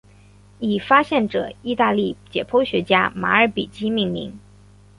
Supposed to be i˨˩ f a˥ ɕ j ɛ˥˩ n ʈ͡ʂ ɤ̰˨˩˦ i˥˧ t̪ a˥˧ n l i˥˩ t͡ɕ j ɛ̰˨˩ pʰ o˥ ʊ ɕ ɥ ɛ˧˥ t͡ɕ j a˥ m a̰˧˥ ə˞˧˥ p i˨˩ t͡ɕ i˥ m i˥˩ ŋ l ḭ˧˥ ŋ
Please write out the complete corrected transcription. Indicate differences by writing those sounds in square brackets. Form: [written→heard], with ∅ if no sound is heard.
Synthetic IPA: i˨˩ f a˥ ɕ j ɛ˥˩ n ʈ͡ʂ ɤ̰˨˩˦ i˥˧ t̪ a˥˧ [n→∅] l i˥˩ t͡ɕ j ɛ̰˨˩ pʰ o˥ ʊ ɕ ɥ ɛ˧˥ t͡ɕ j a˥ m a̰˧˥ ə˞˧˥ p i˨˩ t͡ɕ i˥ m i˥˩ ŋ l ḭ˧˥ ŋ